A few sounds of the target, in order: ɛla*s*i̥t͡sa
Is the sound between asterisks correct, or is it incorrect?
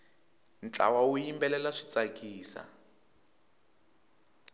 incorrect